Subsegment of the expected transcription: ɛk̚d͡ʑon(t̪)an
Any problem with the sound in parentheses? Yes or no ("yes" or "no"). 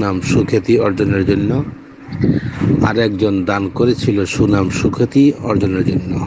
yes